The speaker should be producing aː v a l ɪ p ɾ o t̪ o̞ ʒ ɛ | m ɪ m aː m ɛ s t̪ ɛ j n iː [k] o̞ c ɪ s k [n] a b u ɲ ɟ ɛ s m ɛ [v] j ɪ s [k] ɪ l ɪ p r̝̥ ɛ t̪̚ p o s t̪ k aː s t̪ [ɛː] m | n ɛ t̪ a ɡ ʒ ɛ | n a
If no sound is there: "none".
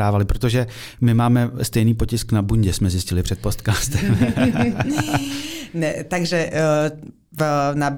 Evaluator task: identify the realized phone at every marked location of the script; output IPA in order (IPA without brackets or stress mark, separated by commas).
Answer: p, n, z, c, ɛ